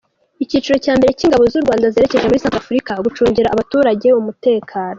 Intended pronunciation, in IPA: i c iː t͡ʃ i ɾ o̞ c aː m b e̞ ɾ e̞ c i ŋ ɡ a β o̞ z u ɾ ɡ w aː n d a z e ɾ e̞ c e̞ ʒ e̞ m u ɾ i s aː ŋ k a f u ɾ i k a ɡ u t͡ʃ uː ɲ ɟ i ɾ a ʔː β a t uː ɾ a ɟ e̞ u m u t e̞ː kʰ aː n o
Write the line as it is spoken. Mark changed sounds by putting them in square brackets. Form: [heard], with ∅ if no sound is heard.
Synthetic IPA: i c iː t͡ʃ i ɾ o̞ c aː m b e̞ ɾ e̞ c i ŋ ɡ a β o̞ z u ɾ ɡ w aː n d a z e ɾ e̞ c e̞ ʒ e̞ m u ɾ i s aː ŋ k a f u ɾ i k a ɡ u t͡ʃ uː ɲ ɟ i ɾ a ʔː β a t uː ɾ a ɟ e̞ u m u t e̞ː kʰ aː n o